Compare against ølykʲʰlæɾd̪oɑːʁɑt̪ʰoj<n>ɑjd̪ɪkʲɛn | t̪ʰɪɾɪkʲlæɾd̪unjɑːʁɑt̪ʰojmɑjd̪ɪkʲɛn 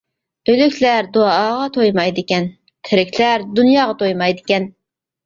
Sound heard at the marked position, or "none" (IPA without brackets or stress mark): m